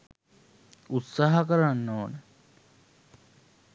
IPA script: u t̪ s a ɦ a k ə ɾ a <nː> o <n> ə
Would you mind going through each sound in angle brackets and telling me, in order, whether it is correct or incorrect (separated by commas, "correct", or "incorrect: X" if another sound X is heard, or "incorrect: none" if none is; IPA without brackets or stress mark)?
correct, correct